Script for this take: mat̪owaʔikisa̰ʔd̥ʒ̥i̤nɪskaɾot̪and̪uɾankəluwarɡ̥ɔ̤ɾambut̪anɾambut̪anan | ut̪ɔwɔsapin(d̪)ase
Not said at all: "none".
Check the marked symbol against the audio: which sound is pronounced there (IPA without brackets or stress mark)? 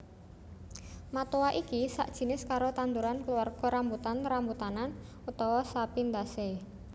d̪